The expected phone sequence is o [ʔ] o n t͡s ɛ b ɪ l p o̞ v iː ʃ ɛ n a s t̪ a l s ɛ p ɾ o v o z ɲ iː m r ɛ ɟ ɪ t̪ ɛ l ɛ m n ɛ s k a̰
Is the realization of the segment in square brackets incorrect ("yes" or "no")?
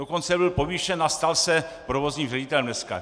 yes